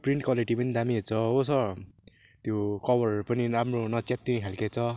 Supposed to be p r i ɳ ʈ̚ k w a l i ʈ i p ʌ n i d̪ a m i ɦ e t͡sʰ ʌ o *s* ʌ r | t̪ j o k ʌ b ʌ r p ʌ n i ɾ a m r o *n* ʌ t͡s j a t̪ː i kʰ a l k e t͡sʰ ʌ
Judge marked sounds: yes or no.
yes, yes

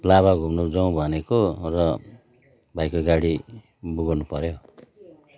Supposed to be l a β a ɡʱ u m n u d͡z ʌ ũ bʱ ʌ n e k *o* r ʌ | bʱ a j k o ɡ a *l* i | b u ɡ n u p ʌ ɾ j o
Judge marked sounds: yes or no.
yes, no

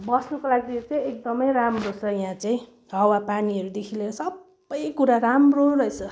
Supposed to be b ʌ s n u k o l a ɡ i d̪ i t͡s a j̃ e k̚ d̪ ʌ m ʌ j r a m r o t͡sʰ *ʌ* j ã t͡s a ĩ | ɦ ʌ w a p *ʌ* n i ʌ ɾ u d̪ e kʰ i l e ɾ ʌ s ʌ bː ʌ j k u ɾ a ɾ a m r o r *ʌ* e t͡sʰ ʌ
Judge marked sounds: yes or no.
yes, no, yes

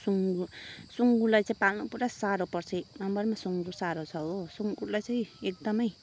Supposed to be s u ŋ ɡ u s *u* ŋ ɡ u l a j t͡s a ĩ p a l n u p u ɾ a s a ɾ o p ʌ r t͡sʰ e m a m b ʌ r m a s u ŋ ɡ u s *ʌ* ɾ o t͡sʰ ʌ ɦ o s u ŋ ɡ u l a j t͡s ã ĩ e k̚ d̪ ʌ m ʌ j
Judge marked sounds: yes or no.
yes, no

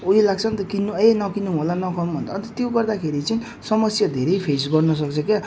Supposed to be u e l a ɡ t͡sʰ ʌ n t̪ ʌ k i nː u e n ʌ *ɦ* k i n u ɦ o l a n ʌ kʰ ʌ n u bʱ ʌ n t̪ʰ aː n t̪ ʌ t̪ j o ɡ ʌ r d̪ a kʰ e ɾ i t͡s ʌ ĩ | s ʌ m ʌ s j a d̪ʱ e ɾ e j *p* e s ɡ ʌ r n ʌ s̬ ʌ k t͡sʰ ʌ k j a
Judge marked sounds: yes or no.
no, no

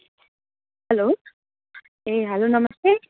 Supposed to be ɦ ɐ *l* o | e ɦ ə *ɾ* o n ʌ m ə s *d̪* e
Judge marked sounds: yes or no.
yes, no, no

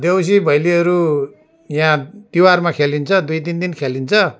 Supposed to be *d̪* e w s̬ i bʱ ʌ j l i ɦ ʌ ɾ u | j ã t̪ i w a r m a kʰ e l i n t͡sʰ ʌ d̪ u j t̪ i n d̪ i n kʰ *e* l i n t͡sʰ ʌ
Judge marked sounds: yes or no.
yes, yes

